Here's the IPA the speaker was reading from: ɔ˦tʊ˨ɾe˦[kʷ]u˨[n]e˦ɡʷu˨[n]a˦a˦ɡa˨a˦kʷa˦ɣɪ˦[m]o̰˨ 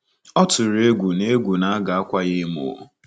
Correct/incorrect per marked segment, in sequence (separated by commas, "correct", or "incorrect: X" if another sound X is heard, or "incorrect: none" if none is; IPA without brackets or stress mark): incorrect: ɡʷ, correct, correct, correct